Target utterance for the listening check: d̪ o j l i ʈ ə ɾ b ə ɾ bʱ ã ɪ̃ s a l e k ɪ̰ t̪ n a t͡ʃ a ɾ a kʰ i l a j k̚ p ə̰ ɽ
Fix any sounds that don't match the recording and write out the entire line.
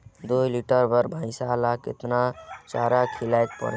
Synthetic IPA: d̪ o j l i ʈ ə ɾ b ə ɾ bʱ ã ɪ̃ s a l a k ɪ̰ t̪ n a t͡ʃ a ɾ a kʰ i l a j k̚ p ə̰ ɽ